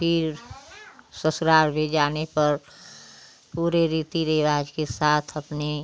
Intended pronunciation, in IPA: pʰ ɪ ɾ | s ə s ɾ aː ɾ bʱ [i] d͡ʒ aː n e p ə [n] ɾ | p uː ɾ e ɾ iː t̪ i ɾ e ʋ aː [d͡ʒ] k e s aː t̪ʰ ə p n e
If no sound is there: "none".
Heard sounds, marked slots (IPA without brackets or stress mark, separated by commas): e, none, d͡ʒ